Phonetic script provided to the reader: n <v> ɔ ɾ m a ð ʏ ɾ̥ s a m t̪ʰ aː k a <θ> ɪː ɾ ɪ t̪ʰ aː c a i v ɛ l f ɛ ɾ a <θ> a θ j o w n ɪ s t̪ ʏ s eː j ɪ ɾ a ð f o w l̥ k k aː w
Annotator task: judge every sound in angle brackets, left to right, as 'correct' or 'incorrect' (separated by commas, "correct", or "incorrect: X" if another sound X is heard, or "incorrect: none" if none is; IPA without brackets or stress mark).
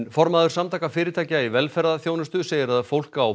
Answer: incorrect: f, incorrect: f, incorrect: ð